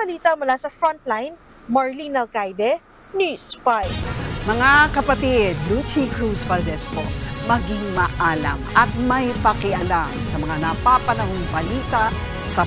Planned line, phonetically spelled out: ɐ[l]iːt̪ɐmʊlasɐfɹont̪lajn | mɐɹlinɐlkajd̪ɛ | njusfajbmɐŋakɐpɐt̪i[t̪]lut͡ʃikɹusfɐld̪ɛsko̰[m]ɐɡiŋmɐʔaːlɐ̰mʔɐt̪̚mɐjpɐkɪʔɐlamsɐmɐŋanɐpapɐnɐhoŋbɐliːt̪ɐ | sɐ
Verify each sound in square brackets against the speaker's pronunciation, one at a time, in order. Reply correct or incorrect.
correct, incorrect, correct

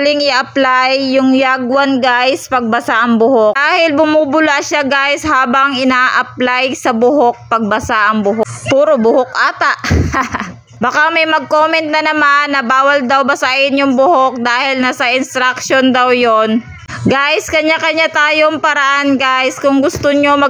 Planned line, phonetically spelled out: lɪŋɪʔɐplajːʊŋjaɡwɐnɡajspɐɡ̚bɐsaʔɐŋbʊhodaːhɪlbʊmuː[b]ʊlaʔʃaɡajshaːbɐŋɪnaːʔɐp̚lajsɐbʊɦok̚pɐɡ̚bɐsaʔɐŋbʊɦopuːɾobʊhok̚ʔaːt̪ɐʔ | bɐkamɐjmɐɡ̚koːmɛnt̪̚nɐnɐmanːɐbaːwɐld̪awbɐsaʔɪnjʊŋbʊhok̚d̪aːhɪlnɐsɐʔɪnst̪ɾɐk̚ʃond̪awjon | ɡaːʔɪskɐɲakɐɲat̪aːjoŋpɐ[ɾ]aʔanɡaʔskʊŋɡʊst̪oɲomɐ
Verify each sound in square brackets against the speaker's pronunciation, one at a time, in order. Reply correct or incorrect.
correct, correct

